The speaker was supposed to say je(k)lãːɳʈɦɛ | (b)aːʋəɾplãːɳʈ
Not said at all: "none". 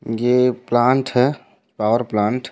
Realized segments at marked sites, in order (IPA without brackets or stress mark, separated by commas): p, p